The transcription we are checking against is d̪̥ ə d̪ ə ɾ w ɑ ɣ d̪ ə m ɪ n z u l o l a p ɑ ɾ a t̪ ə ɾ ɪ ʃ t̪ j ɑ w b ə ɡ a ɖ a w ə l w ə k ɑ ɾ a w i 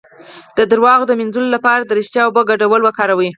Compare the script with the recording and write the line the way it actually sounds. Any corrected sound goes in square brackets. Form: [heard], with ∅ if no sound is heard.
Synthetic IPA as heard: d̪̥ ə d̪ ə ɾ w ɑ ɣ d̪ ə m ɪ n z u l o l a p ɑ ɾ a [d̪] ə ɾ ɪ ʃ t̪ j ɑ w b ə ɡ a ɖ a w ə l w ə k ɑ ɾ a w i